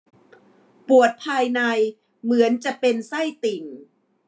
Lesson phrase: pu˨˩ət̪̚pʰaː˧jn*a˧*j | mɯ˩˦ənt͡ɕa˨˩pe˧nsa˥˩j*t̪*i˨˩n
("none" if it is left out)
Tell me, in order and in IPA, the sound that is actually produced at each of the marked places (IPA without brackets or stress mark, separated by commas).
a˧, t̪